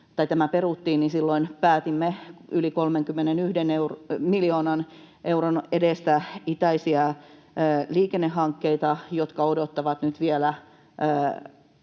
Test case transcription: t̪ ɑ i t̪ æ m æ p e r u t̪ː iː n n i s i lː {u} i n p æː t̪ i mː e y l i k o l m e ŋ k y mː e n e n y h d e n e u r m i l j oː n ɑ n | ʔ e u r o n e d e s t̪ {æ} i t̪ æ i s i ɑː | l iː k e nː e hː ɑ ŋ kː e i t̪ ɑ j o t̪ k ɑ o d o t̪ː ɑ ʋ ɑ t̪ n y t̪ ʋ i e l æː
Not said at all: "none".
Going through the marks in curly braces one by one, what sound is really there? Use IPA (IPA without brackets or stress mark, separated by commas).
o, æ